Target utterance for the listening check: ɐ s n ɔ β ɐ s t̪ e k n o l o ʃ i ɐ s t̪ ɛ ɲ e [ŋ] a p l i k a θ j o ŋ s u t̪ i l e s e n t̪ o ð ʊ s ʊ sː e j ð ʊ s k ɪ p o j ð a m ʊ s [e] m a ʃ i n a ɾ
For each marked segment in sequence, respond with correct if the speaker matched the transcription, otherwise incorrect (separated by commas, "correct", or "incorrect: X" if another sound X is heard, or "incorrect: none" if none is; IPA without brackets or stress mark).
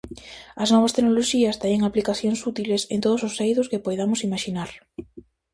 correct, incorrect: i